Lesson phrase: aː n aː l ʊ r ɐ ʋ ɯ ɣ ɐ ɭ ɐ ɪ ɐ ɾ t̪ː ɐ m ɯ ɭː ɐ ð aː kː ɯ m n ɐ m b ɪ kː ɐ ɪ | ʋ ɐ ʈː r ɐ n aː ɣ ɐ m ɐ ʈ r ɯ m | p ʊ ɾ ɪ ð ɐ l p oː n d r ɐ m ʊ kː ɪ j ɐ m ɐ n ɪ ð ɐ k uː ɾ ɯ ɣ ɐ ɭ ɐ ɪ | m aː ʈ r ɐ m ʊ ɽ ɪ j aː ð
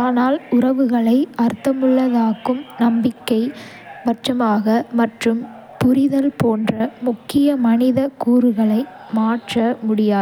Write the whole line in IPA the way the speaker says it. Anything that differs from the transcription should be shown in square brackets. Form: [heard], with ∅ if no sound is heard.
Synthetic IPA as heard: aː n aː l ʊ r ɐ ʋ ɯ ɣ ɐ ɭ ɐ ɪ ɐ ɾ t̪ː ɐ m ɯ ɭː ɐ ð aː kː ɯ m n ɐ m b ɪ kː ɐ ɪ | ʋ ɐ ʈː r ɐ [m] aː ɣ ɐ m ɐ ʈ r ɯ m | p ʊ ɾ ɪ ð ɐ l p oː n d r ɐ m ʊ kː ɪ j ɐ m ɐ n ɪ ð ɐ k uː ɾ ɯ ɣ ɐ ɭ ɐ ɪ | m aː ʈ r ɐ m ʊ ɽ ɪ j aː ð